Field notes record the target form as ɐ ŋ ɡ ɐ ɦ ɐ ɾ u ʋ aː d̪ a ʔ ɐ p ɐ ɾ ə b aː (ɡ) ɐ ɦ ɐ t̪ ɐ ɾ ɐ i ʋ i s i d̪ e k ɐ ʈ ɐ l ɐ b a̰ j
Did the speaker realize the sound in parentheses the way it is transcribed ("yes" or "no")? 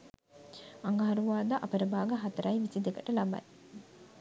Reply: yes